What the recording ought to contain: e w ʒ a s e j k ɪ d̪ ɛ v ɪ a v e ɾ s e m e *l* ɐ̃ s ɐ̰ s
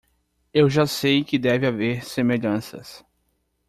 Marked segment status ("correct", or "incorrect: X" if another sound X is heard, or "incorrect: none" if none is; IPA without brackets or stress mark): incorrect: ʎ